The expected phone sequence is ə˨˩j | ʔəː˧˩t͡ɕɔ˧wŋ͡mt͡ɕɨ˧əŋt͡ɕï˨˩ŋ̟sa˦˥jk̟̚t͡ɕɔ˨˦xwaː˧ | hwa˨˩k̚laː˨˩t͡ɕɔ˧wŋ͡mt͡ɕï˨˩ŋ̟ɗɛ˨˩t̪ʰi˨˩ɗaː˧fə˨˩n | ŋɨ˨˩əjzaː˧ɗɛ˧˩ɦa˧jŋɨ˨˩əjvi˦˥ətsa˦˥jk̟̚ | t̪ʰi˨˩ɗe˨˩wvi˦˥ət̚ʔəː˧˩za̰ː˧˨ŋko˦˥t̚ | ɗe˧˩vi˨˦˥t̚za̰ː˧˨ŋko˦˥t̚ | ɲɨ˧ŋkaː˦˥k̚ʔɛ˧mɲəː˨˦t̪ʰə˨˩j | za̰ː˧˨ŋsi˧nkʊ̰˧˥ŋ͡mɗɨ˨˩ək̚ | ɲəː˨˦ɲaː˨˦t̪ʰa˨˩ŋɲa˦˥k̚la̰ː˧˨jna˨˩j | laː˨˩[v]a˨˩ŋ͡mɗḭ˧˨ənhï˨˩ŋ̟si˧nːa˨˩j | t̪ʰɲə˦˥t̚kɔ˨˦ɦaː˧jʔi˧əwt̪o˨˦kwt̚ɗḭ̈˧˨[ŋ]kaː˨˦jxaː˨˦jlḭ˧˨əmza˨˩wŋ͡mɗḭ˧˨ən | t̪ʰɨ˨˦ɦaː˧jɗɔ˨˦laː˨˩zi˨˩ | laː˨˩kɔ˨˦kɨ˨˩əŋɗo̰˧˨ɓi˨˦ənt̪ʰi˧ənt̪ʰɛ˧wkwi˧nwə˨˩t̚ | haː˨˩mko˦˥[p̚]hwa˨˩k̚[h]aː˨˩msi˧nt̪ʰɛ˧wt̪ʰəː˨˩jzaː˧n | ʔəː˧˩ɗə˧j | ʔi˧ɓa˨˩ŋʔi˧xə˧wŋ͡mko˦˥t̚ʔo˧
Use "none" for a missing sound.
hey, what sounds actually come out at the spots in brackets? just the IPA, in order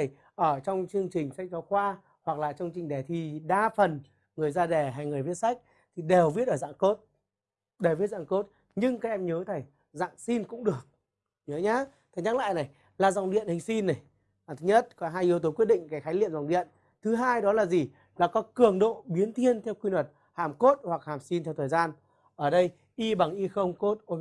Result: z, ŋ, t̚, h

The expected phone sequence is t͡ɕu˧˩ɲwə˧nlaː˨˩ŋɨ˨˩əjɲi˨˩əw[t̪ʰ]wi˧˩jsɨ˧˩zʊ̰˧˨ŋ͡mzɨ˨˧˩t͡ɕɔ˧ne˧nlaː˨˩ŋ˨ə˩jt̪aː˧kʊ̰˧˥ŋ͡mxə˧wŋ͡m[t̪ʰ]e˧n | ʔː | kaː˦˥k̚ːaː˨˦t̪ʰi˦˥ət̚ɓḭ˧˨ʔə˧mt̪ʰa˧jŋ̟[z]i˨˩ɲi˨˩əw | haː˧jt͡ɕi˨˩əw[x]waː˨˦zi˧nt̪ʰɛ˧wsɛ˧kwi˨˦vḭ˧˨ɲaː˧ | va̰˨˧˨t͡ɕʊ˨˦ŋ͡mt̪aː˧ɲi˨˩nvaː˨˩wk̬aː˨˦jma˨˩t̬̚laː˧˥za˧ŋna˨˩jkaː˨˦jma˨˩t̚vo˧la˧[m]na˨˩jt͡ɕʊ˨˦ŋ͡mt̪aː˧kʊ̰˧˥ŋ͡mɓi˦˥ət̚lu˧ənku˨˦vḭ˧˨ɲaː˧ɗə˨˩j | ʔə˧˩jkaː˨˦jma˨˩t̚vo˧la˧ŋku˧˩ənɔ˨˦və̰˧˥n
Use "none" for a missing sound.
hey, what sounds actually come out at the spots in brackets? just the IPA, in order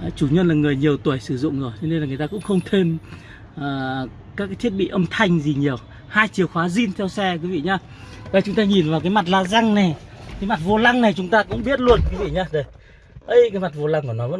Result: t̪, t̪ʰ, z, x, ŋ

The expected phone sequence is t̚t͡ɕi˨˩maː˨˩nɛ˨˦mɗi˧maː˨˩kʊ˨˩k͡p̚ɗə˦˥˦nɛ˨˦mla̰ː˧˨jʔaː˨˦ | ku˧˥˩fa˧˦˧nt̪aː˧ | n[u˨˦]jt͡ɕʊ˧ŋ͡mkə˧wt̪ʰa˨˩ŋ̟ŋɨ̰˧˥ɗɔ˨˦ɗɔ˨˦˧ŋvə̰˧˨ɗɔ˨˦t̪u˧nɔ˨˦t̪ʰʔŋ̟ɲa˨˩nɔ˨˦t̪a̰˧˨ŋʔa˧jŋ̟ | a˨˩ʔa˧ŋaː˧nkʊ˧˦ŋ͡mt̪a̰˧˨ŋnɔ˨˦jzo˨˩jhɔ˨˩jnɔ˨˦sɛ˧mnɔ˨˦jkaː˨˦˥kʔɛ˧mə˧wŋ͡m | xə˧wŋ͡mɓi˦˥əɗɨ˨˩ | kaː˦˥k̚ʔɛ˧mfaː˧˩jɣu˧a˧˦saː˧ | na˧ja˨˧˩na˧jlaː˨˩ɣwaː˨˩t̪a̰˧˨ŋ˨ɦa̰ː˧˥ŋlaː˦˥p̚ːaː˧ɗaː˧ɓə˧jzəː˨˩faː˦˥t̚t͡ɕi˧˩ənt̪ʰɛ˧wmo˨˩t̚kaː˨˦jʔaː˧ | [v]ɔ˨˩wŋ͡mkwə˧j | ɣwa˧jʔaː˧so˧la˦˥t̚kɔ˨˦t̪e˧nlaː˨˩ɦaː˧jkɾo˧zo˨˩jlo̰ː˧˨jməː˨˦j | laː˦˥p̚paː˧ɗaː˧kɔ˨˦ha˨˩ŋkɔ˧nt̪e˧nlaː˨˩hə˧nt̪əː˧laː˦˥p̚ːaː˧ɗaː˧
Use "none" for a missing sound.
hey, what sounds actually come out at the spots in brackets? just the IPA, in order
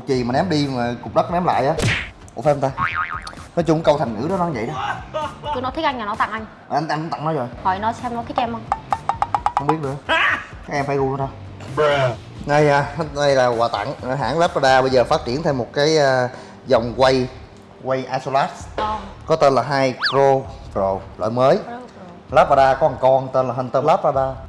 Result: ɔ˨˦, z

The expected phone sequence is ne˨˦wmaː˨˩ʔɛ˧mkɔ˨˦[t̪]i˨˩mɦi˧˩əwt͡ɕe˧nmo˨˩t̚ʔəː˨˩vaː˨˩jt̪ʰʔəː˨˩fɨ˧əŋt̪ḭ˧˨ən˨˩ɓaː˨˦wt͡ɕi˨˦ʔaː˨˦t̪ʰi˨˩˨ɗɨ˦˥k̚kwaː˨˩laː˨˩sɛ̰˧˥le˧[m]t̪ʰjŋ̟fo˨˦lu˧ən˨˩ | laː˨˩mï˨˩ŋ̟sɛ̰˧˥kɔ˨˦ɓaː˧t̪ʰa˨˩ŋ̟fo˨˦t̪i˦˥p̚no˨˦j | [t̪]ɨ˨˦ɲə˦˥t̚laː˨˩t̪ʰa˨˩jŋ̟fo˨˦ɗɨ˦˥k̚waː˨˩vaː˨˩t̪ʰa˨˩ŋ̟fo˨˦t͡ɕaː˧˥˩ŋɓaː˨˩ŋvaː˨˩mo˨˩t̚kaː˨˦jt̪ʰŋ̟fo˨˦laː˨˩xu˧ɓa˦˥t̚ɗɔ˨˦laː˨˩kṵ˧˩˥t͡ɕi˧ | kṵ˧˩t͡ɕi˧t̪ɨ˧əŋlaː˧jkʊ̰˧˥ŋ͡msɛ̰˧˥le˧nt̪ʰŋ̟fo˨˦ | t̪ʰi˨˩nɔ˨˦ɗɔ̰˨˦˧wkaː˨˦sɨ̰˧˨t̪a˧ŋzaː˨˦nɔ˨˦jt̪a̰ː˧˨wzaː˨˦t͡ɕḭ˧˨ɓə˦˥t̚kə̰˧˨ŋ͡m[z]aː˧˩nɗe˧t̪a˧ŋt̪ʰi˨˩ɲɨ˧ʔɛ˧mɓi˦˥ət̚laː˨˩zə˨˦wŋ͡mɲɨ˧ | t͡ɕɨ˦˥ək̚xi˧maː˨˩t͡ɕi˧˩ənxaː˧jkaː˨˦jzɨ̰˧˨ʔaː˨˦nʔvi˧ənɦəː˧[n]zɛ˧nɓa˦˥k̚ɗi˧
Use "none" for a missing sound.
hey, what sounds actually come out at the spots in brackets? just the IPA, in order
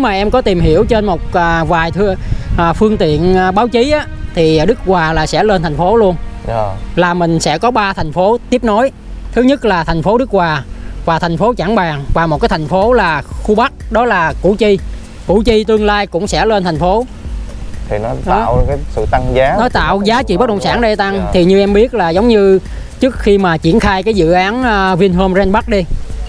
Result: t̪, n, t̪ʰ, s, m

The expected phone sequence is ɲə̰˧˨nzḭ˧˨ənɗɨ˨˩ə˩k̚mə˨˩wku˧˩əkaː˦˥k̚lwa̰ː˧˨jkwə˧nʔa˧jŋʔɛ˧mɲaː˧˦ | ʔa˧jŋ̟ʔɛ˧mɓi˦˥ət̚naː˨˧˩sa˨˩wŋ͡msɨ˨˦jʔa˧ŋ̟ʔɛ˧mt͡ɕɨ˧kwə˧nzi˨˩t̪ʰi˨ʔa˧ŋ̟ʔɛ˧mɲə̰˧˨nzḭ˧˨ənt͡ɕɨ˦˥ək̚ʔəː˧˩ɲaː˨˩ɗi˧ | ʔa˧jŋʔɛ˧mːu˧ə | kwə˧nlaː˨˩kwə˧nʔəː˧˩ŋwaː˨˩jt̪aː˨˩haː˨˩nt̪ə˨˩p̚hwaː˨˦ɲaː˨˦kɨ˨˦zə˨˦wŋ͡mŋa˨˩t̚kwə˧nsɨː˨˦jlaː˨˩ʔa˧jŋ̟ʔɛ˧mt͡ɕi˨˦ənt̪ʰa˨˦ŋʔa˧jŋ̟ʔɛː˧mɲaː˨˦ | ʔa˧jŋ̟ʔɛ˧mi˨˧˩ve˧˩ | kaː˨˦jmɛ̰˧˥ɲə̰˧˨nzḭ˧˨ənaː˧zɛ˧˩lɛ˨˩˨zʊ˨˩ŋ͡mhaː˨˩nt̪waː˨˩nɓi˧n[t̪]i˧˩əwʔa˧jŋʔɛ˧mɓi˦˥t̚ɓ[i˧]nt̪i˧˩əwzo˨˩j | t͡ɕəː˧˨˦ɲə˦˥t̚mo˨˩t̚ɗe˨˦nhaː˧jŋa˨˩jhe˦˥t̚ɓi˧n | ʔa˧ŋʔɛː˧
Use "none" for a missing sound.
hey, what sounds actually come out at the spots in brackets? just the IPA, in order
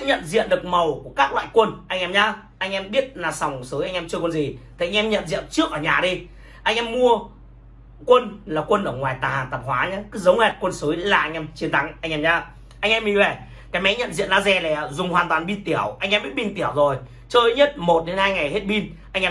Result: t̪, i˧

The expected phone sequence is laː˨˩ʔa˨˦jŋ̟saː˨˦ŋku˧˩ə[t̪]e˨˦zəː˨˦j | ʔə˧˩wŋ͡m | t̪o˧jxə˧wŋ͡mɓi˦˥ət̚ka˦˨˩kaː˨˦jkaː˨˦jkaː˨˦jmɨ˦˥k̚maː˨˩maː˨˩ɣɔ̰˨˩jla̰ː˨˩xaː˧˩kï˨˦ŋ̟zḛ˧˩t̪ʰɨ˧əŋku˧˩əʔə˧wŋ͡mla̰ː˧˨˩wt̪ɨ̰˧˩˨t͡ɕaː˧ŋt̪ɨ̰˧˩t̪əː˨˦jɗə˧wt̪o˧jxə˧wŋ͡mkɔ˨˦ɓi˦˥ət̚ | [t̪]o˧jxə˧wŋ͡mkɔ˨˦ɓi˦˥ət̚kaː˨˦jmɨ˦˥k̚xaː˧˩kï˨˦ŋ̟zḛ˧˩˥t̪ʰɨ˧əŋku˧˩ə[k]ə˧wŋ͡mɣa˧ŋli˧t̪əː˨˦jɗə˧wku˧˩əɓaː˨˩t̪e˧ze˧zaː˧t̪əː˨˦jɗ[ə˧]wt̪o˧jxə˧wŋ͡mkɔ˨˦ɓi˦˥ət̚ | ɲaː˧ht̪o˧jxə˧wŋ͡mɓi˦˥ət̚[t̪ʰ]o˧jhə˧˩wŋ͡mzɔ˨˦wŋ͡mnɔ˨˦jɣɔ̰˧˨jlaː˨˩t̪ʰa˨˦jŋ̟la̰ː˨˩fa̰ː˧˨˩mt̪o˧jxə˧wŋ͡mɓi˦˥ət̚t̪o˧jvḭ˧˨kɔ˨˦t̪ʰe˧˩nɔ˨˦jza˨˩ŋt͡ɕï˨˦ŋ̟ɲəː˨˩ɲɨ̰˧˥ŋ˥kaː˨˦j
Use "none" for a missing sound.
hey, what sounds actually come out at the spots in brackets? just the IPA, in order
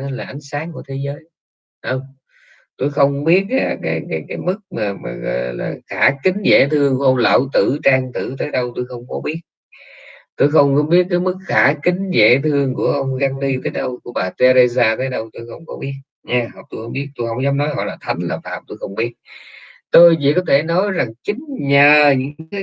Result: t̪ʰ, t̪, ʔ, ə˧, t̪

